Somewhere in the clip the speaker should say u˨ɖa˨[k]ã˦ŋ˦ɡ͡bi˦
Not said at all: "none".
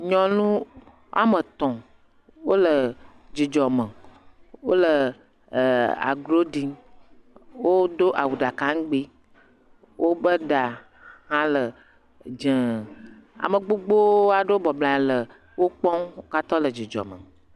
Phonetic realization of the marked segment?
k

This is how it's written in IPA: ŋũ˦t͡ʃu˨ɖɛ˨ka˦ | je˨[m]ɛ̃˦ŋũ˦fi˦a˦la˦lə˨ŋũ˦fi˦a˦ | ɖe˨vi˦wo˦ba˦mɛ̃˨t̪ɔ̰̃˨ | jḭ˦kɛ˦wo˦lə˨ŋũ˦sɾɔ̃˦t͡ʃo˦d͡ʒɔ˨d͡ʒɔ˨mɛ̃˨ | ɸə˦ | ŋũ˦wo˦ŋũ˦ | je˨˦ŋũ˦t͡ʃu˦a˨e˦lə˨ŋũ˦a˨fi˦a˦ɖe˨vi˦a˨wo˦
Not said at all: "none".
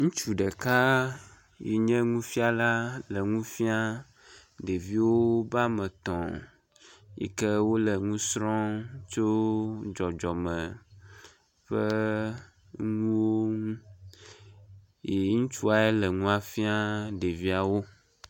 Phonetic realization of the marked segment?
ɲ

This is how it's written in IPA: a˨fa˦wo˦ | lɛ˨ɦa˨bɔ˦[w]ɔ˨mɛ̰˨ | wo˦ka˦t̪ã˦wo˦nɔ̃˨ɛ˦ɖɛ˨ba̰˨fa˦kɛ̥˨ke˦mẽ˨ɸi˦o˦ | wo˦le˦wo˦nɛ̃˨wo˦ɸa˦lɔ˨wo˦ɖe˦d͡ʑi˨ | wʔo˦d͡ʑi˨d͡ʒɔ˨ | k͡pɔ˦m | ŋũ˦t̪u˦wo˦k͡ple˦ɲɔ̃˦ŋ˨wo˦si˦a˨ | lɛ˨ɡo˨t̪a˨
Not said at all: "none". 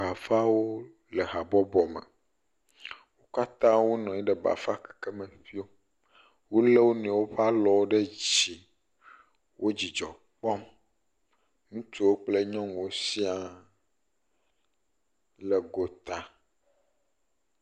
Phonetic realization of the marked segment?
b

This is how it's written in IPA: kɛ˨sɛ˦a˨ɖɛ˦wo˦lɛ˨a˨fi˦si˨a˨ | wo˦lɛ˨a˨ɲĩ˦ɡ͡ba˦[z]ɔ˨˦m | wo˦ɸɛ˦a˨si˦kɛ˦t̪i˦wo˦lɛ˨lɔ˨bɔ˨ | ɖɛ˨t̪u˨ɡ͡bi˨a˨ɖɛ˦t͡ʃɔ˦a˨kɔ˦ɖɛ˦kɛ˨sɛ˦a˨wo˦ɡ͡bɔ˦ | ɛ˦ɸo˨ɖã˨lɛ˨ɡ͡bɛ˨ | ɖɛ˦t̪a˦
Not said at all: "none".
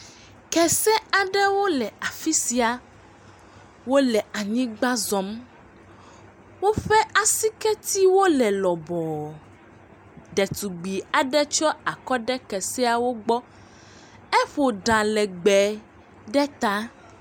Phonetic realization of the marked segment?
z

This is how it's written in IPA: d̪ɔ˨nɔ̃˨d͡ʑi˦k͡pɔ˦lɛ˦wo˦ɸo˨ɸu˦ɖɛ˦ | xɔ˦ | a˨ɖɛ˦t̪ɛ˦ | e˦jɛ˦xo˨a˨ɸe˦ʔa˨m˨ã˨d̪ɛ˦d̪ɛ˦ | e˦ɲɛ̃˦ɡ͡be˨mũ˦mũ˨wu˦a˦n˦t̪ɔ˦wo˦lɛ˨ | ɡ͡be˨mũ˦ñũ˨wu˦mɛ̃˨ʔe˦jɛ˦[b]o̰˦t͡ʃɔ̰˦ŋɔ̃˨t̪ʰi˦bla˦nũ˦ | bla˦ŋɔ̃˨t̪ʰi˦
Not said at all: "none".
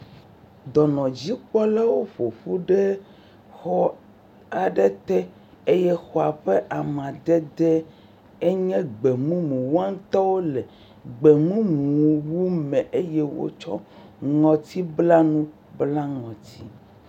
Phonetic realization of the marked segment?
w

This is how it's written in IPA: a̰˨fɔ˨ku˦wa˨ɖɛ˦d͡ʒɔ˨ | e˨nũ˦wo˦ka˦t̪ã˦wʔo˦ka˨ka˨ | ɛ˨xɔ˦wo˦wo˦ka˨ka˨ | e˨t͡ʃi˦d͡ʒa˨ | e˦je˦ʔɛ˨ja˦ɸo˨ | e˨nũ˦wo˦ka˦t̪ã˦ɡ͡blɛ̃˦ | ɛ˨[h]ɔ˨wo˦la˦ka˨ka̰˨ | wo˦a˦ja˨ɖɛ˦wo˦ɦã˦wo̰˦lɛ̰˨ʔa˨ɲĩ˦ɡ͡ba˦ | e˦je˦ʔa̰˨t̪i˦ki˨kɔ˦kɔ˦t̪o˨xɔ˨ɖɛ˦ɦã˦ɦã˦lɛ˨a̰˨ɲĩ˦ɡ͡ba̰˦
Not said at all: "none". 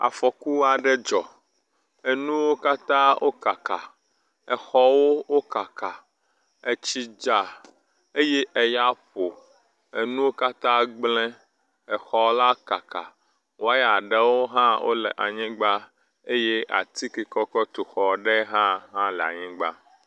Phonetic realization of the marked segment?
x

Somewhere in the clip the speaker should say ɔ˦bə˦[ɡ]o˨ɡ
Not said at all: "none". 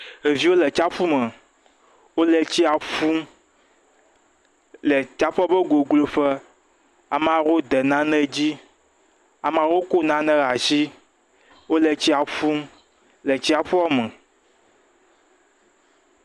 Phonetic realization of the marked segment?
ɡ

